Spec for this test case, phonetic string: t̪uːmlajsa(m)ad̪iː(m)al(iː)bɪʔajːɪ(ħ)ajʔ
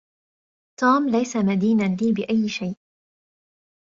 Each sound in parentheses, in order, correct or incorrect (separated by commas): correct, incorrect, correct, incorrect